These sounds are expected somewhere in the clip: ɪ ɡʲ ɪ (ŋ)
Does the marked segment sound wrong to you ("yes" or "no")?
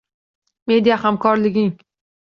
no